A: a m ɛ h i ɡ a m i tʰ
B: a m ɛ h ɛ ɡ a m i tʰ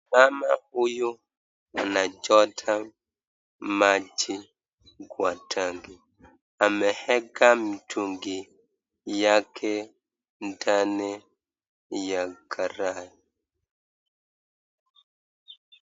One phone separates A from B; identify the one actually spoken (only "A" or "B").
B